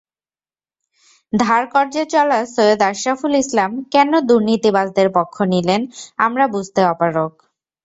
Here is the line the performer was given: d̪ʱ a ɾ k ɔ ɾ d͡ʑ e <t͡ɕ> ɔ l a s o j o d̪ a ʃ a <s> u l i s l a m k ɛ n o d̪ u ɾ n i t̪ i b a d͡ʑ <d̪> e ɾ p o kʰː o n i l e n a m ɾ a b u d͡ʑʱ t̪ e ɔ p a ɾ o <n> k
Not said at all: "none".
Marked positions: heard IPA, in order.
t͡ɕ, f, d̪, none

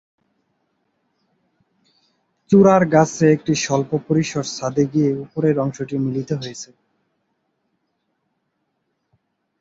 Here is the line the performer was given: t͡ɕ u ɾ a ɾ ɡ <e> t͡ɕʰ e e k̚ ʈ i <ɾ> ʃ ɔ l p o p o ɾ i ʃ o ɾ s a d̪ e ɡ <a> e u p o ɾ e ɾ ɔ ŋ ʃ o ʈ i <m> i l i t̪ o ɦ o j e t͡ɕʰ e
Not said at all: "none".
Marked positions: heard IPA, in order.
a, none, i, m

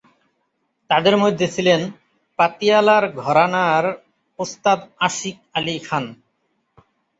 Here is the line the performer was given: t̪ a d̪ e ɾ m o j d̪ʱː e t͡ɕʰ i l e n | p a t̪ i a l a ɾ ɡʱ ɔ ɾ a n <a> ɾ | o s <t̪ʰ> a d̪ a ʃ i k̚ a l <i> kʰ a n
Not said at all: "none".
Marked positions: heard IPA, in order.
a, t̪, i

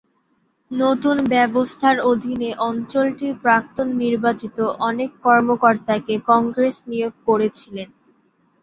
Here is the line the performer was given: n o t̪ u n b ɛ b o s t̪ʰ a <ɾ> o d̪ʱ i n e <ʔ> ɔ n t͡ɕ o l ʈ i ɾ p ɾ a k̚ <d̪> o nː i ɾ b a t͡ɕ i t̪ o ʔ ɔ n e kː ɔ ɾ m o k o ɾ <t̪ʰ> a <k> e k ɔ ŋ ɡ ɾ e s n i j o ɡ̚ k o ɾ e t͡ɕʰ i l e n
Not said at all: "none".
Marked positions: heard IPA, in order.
ɾ, ʔ, t̪, t̪, k

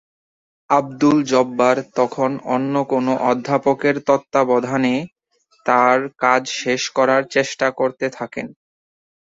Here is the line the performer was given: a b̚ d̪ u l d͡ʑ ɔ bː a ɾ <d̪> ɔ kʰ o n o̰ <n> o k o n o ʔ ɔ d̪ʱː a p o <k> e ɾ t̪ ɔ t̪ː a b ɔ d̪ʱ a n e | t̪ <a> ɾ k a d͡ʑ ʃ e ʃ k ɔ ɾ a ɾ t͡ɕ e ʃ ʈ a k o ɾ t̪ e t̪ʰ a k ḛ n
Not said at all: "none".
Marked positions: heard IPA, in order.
t̪, nː, k, a

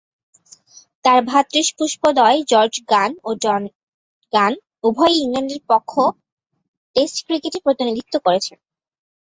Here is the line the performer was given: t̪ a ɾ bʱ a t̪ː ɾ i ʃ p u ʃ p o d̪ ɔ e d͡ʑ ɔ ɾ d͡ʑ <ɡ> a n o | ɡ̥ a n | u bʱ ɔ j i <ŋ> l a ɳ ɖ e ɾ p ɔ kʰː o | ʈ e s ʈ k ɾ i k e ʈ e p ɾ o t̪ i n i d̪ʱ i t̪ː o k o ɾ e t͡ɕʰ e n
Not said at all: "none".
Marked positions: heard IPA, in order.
ɡ, ŋ

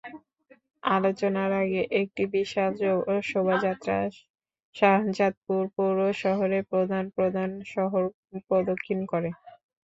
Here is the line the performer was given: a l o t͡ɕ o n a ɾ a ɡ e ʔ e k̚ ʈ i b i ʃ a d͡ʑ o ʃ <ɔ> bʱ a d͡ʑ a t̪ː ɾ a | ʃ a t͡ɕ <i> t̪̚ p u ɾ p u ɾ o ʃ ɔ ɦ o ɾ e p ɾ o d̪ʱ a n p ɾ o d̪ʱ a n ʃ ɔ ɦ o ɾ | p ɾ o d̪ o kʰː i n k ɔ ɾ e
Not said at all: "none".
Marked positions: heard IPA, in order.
o, a

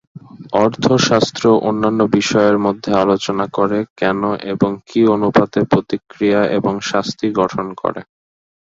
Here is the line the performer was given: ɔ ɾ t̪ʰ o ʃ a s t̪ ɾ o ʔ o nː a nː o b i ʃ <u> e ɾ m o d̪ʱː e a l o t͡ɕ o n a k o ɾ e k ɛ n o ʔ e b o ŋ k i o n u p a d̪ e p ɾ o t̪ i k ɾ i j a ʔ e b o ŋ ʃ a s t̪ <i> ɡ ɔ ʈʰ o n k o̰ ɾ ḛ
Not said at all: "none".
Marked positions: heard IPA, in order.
ɔ, i

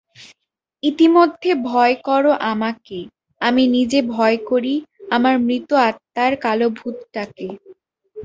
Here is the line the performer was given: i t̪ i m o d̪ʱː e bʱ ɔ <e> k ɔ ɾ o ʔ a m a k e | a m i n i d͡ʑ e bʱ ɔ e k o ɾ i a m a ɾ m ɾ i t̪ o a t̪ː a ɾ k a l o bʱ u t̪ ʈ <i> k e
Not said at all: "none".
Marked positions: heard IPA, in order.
e, a

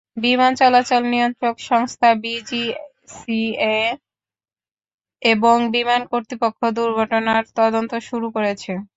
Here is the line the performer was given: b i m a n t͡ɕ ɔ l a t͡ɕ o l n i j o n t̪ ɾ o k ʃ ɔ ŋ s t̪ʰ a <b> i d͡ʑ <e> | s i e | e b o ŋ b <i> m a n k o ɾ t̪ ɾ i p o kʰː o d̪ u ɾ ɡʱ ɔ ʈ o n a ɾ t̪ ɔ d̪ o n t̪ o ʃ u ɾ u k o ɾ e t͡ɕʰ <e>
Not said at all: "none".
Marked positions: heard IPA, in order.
b, i, i, e

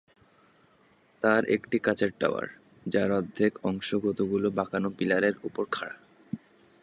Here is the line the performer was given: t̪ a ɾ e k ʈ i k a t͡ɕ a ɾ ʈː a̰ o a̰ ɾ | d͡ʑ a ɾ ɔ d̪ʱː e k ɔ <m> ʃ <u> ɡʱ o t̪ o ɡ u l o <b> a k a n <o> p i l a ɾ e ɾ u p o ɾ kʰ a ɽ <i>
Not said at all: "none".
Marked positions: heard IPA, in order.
ŋ, o, b, o, a

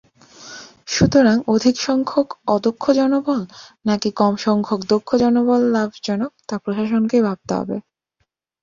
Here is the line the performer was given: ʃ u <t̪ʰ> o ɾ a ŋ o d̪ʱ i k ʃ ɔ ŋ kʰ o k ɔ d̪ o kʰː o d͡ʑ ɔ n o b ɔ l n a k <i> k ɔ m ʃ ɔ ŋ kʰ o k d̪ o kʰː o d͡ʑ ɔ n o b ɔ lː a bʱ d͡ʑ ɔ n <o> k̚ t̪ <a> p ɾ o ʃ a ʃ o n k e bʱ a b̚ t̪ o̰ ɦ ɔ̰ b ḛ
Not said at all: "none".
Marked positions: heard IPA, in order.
t̪, i, o, a

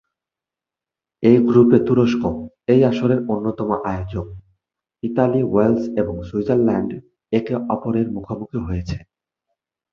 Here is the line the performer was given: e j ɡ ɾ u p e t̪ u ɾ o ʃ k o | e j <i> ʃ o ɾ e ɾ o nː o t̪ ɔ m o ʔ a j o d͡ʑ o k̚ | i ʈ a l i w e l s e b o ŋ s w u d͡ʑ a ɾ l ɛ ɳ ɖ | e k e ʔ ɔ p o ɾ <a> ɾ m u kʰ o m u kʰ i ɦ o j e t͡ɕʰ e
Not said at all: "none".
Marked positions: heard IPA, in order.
a, e

